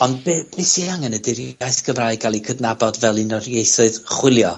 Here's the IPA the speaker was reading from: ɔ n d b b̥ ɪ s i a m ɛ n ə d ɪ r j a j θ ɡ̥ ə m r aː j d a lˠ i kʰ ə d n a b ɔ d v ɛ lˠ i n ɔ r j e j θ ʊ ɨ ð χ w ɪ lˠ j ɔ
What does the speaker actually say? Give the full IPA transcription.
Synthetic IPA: ɔ n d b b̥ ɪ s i a ŋ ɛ n ə d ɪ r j a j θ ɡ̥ ə m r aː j ɡ a lˠ i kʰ ə d n a b ɔ d v ɛ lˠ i n ɔ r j e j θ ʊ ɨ ð χ w ɪ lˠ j ɔ

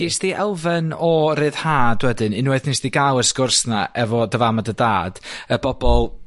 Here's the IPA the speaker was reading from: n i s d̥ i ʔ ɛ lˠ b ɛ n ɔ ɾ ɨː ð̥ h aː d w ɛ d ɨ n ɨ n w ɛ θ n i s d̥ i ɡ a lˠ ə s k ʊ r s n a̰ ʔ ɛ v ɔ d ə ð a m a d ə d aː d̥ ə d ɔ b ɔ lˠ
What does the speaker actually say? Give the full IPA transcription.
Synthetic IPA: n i s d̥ i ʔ ɛ lˠ v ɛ n ɔ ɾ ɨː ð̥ h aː d w ɛ d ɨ n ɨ n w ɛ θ n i s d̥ i ɡ a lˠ ə s k ʊ r s n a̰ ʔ ɛ v ɔ d ə v a m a d ə d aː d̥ ə b ɔ b ɔ lˠ

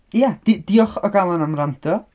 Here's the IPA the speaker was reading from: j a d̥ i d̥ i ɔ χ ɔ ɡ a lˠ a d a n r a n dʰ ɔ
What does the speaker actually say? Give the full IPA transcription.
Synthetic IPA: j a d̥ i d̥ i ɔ χ ɔ ɡ a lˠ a n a m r a n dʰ ɔ

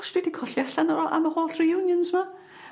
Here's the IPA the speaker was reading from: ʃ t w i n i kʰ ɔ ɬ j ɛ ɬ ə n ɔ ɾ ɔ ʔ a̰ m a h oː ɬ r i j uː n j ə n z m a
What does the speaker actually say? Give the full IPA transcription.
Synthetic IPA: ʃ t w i d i kʰ ɔ ɬ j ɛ ɬ a n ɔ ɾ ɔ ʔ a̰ m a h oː ɬ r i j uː n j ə n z m a

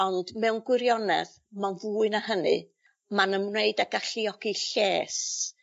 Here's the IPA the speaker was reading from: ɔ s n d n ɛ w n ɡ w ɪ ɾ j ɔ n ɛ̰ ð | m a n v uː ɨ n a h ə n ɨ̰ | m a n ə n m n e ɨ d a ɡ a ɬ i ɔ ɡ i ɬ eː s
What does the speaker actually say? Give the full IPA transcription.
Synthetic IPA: ɔ n d m ɛ w n ɡ w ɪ ɾ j ɔ n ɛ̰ ð | m a n v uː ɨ n a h ə n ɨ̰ | m a n ə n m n e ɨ d a ɡ a ɬ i ɔ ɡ i ɬ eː s

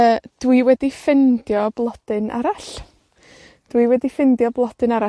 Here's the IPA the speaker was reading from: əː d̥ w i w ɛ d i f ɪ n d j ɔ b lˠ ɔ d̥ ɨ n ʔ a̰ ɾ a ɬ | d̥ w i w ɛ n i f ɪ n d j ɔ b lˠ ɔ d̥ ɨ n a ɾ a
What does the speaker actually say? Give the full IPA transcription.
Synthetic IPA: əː d̥ w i w ɛ d i f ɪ n d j ɔ b lˠ ɔ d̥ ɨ n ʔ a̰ ɾ a ɬ | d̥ w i w ɛ d i f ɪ n d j ɔ b lˠ ɔ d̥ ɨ n a ɾ a

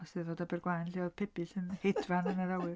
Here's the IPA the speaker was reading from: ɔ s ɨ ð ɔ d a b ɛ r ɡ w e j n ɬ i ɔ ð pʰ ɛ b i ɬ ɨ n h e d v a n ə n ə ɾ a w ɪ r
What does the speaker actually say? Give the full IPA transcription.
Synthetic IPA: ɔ s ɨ ð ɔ d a b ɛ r ɡ w a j n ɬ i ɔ ð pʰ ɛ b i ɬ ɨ n h e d v a n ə n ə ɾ a w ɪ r

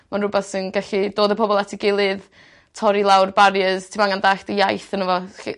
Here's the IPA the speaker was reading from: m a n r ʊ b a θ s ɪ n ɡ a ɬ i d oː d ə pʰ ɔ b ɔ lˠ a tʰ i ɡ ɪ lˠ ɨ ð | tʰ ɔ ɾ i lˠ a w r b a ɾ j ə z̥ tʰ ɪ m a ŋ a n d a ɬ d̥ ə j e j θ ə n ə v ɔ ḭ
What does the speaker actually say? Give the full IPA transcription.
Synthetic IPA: m a n r ʊ b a θ s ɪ n ɡ a ɬ i d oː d ə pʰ ɔ b ɔ lˠ a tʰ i ɡ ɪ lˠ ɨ ð | tʰ ɔ ɾ i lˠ a w r b a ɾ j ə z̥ tʰ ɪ m a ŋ a n d a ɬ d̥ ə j a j θ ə n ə v ɔ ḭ

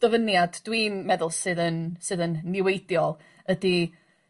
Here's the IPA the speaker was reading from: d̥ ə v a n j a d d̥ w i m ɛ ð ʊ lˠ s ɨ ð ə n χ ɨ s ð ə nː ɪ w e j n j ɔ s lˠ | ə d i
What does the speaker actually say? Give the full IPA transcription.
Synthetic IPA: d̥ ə v ə n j a d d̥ w i m ɛ ð ʊ lˠ s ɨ ð ə n s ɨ ð ə nː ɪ w e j d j ɔ lˠ | ə d i

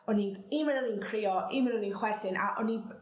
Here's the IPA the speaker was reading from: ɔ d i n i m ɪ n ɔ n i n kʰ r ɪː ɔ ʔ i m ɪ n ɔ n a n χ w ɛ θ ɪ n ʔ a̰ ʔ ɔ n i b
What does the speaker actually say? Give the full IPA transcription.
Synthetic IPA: ɔ n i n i m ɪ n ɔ n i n kʰ r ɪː ɔ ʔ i m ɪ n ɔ n i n χ w ɛ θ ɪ n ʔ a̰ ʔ ɔ n i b

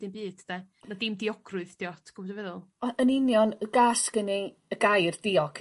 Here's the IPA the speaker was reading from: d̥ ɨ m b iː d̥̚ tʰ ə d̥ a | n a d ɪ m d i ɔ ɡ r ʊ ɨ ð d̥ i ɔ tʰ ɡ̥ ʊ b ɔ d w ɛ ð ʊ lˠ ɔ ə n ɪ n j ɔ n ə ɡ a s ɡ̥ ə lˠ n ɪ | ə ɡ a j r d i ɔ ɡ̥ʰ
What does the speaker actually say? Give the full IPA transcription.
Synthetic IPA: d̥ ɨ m b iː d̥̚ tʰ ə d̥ a | n a d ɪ m d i ɔ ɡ r ʊ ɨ ð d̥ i ɔ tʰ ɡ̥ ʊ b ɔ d v ɛ ð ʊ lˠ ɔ ə n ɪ n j ɔ n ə ɡ a s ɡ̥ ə n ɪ | ə ɡ a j r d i ɔ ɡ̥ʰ

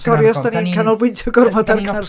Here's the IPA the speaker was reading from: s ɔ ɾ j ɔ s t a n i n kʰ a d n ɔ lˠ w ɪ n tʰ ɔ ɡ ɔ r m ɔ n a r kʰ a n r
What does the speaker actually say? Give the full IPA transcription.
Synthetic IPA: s ɔ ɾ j ɔ s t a n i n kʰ a n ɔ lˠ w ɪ n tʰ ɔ ɡ ɔ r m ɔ d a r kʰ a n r

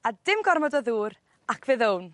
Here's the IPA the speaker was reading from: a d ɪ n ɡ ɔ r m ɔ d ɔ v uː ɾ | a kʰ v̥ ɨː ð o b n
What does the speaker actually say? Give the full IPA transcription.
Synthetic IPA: a d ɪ m ɡ ɔ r m ɔ d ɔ ð uː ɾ | a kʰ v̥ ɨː ð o w n

